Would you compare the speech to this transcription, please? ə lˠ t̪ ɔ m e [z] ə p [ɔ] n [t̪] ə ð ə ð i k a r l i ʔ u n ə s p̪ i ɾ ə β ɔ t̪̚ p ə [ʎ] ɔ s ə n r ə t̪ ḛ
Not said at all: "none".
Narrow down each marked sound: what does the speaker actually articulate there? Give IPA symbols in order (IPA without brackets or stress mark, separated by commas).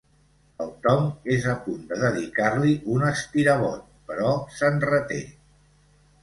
z, u, d̪, ɾ